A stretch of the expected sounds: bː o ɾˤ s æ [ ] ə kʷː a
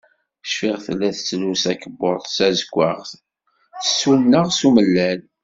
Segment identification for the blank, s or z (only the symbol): z